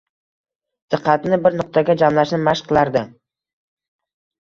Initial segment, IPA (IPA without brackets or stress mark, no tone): d̪̥